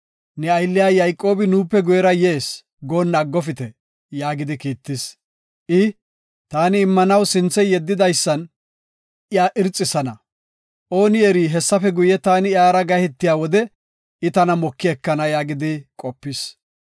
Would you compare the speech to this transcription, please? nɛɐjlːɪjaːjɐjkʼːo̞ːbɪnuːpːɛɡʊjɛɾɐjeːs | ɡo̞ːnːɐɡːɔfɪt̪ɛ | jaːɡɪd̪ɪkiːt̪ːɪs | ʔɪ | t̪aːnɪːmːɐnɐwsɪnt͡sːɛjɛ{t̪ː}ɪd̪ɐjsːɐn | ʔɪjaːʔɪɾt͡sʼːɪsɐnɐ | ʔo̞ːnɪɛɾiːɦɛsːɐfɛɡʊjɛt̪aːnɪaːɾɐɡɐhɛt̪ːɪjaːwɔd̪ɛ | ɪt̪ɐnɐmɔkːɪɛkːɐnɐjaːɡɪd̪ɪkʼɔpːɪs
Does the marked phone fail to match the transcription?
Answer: yes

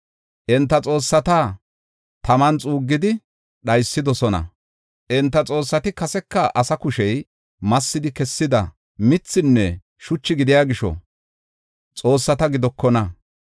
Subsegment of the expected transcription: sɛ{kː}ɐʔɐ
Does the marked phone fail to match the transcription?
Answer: no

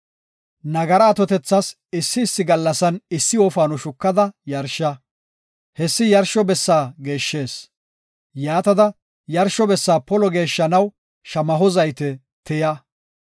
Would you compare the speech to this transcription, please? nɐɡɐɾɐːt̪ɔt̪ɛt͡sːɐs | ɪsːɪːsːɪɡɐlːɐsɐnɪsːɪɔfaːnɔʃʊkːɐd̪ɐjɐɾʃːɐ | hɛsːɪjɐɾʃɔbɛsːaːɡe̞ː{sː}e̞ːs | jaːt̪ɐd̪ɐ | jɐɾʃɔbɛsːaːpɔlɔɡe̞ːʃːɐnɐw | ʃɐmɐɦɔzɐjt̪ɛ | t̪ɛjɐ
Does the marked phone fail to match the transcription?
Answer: yes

